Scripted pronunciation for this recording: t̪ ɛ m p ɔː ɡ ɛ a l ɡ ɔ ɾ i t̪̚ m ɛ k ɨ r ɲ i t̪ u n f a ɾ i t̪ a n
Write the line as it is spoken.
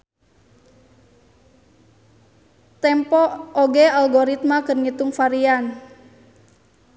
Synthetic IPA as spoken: t̪ ɛ m p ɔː ɡ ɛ a l ɡ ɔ ɾ i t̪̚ m a k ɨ r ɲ i t̪ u ŋ f a ɾ i a n